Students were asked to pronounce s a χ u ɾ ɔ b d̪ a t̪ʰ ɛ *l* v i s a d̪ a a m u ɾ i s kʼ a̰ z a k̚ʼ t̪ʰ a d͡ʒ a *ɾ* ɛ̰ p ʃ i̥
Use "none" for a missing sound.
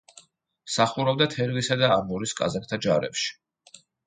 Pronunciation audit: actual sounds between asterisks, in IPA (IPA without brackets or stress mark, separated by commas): ɾ, ɾ